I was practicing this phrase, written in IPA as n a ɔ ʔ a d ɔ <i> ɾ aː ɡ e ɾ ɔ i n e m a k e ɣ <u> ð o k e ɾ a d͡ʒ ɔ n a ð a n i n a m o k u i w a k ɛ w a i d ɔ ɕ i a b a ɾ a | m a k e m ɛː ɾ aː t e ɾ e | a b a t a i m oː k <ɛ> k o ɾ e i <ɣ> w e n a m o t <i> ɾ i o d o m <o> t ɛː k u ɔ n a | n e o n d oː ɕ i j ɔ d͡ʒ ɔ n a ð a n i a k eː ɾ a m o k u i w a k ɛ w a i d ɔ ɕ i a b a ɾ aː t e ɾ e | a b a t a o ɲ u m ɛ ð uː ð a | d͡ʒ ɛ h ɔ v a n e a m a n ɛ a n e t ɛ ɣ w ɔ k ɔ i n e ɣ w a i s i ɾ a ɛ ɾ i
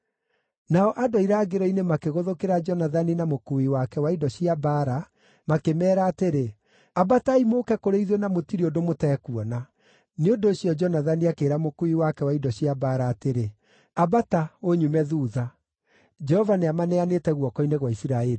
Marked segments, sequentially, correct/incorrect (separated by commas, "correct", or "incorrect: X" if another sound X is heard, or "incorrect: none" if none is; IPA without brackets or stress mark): correct, incorrect: o, correct, incorrect: ð, correct, correct